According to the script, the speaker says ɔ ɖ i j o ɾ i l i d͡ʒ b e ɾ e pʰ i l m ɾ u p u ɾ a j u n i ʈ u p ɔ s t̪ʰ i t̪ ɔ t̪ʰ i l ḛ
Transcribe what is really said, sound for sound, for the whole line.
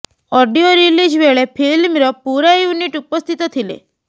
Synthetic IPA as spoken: ɔ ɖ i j o ɾ i l i d͡ʒ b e ɭ e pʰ i l m ɾ ɔ p u ɾ a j u n i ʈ u p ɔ s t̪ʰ i t̪ ɔ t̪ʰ i l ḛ